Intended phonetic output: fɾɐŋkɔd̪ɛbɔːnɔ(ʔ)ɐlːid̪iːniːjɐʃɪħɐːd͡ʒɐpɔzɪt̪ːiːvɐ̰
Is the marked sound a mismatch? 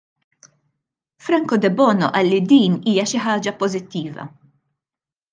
no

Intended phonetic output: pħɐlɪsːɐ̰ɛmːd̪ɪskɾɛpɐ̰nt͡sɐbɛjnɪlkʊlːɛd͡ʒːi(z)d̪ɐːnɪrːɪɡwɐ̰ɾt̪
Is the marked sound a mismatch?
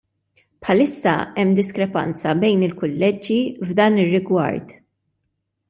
yes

